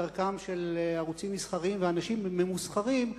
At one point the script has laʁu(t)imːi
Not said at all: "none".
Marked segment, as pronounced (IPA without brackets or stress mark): t͡s